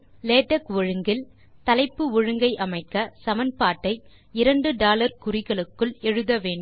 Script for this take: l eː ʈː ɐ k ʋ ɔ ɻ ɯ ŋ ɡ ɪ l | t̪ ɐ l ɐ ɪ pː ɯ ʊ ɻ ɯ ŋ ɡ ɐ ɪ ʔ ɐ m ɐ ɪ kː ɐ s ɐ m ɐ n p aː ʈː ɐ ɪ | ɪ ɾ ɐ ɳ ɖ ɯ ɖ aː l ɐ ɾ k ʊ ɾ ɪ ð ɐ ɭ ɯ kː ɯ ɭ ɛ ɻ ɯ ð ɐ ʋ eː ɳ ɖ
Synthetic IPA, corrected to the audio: l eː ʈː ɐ k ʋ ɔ ɻ ɯ ŋ ɡ ɪ l | t̪ ɐ l ɐ ɪ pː ɯ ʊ ɻ ɯ ŋ ɡ ɐ ɪ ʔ ɐ m ɐ ɪ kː ɐ s ɐ m ɐ n p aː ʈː ɐ ɪ | ɪ ɾ ɐ ɳ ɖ ɯ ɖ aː l ɐ ɾ k ʊ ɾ ɪ ɣ ɐ ɭ ɯ kː ɯ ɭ ɛ ɻ ɯ ð ɐ ʋ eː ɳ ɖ